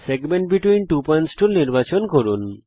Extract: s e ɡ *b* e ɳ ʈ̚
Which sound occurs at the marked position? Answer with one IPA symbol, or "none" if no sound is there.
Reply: m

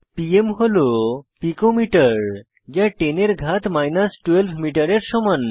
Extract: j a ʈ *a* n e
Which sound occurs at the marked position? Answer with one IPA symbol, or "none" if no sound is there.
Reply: e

